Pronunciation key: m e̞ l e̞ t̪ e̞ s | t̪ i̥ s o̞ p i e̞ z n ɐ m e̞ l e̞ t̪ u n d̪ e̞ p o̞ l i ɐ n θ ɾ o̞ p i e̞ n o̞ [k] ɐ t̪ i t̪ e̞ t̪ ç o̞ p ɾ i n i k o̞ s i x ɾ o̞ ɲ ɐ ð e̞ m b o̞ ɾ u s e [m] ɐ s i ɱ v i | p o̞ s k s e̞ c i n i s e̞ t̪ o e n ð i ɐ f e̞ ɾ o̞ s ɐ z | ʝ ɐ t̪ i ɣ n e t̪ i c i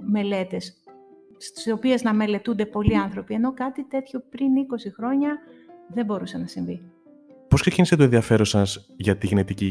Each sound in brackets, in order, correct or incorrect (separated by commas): correct, incorrect